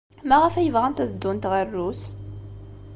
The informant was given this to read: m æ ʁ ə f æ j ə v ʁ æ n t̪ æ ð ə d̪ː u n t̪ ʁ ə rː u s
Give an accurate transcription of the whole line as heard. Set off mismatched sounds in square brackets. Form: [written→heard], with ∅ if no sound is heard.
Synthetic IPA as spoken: m æ ʁ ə f æ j ə v ʁ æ n t̪ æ ð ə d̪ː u n t̪ ʁ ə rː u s